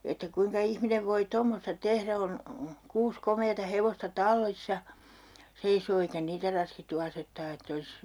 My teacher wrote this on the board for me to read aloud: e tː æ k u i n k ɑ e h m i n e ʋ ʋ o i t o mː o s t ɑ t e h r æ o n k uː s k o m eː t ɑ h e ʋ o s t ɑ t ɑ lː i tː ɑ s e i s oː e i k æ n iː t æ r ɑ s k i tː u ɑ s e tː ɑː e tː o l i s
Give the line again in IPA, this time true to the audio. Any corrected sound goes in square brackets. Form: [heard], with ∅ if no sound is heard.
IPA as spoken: e tː æ k u i [ŋ] k ɑ [i] h m i n e ʋ ʋ o i t o mː o s t ɑ t e h r æ o n k uː s k o m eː t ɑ h e ʋ o s t ɑ t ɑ lː i [sː] ɑ s e i s oː e i k æ n iː t æ r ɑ s k i tː u ɑ s e tː ɑː e tː o l i s